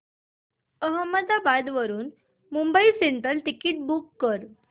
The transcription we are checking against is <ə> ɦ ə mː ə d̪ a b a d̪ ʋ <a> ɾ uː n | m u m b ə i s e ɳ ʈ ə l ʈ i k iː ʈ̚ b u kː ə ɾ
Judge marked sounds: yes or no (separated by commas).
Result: yes, no